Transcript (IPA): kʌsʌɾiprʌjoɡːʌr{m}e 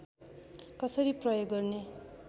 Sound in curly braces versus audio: incorrect: n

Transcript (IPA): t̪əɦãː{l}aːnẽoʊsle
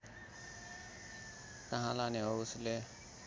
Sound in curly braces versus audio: correct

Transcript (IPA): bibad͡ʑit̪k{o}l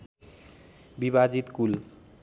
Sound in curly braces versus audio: incorrect: u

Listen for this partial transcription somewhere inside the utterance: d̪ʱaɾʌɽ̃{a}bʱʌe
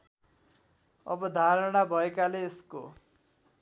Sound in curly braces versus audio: correct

